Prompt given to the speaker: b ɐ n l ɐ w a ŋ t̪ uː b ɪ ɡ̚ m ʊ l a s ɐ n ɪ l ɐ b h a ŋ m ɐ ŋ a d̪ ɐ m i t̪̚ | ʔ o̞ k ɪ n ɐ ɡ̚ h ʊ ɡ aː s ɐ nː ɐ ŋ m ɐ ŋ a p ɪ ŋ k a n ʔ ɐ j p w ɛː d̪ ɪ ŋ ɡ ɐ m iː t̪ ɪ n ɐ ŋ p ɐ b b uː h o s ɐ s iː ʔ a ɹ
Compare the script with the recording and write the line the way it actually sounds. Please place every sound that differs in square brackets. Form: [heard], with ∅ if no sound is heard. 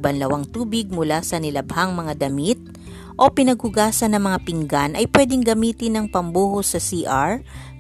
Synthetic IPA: b ɐ n l ɐ w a ŋ t̪ uː b ɪ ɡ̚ m ʊ l a s ɐ n ɪ l ɐ b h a ŋ m ɐ ŋ a d̪ ɐ m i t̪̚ | ʔ o̞ [p] ɪ n ɐ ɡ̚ h ʊ ɡ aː s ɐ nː ɐ ŋ m ɐ ŋ a p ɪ ŋ [ɡ] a n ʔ ɐ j p w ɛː d̪ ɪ ŋ ɡ ɐ m iː t̪ ɪ n ɐ ŋ p ɐ [m] b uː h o s ɐ s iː ʔ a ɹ